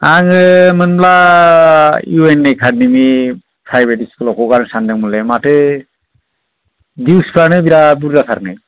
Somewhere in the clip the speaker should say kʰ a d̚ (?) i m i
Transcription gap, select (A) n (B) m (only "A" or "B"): A